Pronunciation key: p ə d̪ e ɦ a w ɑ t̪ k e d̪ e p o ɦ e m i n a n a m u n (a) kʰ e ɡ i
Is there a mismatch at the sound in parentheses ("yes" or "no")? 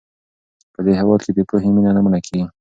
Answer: no